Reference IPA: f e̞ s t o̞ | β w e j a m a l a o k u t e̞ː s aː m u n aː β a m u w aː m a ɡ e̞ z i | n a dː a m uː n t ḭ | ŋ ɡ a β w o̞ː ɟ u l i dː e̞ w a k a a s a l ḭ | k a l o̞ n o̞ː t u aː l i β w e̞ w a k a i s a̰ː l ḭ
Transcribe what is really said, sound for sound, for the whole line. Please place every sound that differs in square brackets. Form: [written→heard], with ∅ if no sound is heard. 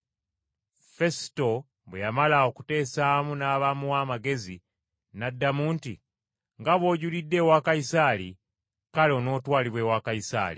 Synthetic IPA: f e̞ s t o̞ | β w e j a m a l a o k u t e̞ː s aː m u n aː β a m u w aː m a ɡ e̞ z i | n a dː a m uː n t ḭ | ŋ ɡ a β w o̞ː ɟ u l i dː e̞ w a k a [a→i] s a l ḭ | k a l o̞ n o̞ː t [u→w] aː l i β w e̞ w a k a i s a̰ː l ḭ